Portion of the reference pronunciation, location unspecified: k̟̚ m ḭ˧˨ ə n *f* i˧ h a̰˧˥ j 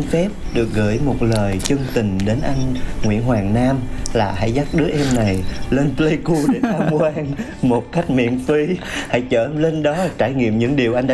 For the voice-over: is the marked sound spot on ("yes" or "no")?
yes